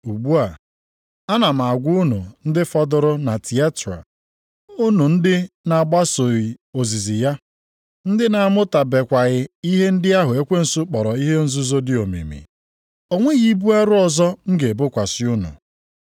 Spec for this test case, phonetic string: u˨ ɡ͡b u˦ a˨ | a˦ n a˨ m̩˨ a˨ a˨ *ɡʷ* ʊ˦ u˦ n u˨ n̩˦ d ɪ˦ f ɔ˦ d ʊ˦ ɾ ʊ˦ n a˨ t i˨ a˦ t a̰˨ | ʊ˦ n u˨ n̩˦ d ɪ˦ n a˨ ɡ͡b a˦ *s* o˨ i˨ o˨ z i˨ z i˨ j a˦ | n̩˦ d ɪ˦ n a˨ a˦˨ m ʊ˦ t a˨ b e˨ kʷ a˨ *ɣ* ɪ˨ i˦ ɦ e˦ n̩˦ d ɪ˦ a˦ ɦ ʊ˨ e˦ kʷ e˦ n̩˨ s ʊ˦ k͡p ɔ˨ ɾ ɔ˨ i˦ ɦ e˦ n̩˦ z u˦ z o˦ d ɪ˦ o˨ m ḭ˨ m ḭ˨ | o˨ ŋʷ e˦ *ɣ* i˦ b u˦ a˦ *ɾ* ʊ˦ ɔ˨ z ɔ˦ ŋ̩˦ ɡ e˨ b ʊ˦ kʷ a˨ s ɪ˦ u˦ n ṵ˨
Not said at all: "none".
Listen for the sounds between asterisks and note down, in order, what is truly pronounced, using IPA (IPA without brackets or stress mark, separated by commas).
ɡʷ, s, ɣ, ɣ, ɾ